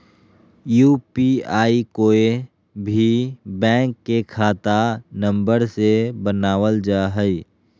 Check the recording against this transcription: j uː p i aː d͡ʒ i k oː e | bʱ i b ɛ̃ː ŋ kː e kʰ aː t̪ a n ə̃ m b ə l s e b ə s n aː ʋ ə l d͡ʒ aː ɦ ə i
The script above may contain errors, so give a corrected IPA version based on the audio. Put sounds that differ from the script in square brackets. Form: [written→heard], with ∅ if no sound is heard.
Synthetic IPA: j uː p i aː [d͡ʒ→∅] i k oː e | bʱ i b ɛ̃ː ŋ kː e kʰ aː t̪ a n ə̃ m b ə [l→ɾ] s e b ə [s→∅] n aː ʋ ə l d͡ʒ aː ɦ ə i